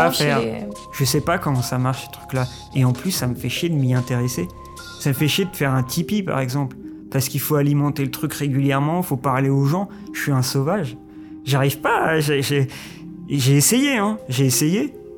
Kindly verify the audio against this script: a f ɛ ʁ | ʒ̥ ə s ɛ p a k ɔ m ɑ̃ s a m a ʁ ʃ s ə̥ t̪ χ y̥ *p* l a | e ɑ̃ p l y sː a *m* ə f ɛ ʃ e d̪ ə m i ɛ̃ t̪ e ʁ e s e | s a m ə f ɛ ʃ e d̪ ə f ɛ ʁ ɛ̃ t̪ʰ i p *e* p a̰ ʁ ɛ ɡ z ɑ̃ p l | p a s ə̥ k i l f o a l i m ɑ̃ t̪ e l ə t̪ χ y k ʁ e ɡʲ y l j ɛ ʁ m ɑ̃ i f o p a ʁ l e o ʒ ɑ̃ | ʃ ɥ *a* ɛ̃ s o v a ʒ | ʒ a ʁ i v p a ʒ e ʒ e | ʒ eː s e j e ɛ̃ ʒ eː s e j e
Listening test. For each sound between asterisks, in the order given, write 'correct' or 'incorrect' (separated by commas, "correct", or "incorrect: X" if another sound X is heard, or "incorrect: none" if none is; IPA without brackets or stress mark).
incorrect: k, correct, incorrect: i, incorrect: i